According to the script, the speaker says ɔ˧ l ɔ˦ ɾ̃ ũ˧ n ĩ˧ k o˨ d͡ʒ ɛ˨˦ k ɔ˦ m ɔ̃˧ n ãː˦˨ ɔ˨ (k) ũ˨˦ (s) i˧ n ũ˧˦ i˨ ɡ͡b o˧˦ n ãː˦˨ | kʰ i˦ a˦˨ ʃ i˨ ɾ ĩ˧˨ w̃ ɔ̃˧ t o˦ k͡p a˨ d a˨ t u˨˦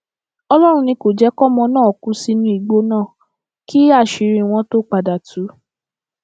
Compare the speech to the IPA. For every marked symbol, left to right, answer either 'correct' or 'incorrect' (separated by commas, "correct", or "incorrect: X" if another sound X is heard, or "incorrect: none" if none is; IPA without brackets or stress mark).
correct, correct